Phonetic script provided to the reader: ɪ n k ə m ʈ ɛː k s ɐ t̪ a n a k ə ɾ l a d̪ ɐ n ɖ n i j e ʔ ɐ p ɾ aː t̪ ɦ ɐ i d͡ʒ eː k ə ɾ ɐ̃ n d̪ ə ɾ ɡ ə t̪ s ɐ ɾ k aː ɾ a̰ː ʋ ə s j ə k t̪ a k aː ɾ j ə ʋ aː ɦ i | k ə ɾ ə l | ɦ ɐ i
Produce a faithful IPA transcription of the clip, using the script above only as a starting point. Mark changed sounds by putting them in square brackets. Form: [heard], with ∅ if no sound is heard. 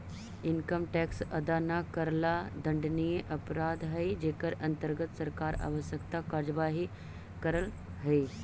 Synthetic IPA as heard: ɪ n k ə m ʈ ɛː k s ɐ [d̪] a n a k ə ɾ l a d̪ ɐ [ɳ] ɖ n i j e ʔ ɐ p ɾ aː [d̪] ɦ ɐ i d͡ʒ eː k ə ɾ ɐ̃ n [t̪] ə ɾ ɡ ə t̪ s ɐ ɾ k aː ɾ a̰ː ʋ ə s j ə k t̪ a k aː ɾ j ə ʋ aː ɦ i | k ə ɾ ə l | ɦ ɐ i